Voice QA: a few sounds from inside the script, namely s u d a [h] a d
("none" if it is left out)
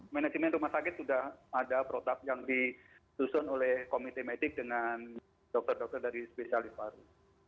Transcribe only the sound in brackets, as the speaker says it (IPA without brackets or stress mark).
h